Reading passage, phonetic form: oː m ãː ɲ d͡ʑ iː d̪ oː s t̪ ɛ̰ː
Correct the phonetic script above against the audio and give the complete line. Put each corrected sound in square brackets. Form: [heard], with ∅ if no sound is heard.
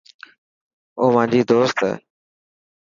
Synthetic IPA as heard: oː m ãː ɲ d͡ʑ iː d̪ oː s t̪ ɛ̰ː